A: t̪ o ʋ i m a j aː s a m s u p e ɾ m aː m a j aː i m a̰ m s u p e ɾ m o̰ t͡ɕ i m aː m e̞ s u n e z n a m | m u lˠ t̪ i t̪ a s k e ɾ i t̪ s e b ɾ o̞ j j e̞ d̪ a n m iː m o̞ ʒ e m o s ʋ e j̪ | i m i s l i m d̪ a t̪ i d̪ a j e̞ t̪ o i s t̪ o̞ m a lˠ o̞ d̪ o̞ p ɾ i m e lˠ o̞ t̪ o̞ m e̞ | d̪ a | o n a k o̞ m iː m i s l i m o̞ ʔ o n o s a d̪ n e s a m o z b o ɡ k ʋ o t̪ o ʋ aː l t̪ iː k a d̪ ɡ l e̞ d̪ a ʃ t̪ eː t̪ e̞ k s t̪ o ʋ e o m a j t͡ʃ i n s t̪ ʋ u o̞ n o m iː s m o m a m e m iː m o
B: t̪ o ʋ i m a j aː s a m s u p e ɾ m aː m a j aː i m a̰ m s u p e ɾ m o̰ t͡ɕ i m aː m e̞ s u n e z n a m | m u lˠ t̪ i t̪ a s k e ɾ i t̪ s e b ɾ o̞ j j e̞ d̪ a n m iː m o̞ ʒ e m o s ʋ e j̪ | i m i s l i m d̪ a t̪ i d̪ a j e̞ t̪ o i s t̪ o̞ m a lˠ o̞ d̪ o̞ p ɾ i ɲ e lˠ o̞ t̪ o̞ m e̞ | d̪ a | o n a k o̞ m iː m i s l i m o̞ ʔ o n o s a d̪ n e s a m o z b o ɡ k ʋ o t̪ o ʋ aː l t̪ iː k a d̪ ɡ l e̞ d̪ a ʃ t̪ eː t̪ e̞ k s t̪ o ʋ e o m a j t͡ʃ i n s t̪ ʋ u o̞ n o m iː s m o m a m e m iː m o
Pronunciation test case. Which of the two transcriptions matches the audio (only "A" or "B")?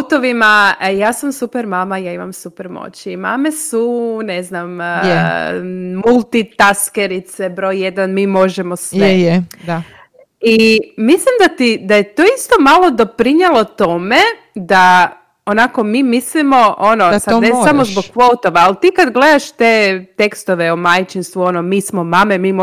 B